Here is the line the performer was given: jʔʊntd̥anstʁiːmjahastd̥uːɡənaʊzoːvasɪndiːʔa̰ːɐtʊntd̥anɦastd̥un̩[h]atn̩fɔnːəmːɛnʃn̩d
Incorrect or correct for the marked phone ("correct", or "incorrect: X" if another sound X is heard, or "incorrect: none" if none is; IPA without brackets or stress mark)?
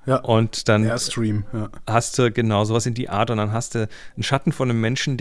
incorrect: ʃ